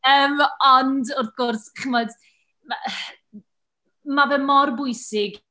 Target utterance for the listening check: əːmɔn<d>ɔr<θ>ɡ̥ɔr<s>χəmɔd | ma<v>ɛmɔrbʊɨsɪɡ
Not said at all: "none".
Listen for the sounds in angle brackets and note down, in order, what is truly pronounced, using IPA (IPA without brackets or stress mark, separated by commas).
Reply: d, θ, s, v